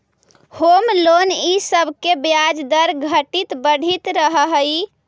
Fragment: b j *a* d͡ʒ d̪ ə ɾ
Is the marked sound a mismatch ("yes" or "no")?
no